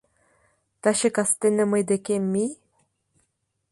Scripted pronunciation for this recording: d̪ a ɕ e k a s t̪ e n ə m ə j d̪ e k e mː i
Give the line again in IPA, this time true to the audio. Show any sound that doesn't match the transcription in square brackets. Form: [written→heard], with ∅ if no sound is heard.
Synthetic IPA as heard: [d̪→t̪] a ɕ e k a s t̪ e n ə m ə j d̪ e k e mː i